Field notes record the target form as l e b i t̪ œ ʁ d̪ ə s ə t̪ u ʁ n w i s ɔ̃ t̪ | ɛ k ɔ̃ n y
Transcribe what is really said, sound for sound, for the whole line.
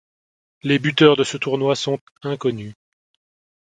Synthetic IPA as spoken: l e b y t̪ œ ʁ d̪ ə s ə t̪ u ʁ n w a s ɔ̃ t̪ | ɛ̃ k ɔ n y